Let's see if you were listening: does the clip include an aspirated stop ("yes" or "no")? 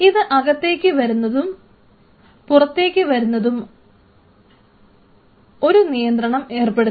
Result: no